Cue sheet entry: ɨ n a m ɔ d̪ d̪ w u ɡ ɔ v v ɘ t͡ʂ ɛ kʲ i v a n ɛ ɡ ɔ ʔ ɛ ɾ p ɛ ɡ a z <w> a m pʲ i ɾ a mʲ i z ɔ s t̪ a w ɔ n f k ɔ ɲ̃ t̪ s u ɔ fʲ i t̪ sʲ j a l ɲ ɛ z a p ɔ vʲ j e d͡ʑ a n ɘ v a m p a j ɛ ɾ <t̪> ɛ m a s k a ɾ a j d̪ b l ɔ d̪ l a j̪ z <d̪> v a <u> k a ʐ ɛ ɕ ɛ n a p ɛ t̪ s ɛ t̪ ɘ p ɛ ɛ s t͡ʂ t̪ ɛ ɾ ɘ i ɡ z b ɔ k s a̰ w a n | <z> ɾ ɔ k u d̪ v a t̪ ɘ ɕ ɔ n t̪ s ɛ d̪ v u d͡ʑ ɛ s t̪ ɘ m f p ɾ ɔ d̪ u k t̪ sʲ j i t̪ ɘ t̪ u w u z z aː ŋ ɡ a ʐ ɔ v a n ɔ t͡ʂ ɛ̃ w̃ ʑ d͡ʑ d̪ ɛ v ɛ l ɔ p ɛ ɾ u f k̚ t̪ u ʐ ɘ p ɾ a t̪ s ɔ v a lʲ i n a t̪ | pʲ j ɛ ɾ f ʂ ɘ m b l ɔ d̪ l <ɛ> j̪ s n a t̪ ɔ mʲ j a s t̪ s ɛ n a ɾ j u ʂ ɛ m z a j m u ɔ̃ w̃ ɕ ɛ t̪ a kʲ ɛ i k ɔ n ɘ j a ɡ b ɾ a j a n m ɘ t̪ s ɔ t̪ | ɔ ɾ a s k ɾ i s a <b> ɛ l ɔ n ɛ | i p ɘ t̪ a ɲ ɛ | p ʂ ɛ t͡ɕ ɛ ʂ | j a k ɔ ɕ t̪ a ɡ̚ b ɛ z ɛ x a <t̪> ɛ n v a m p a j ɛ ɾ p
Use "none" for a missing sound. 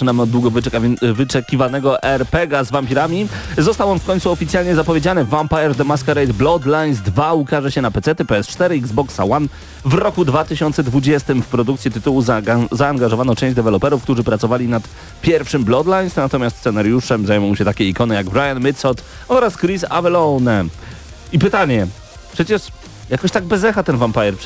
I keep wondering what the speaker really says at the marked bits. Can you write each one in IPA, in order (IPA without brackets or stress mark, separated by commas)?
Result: v, d̪, d̪, u, v, a, v, t̪